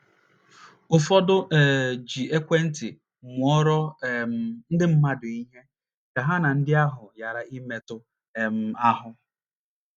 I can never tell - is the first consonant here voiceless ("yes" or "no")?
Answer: yes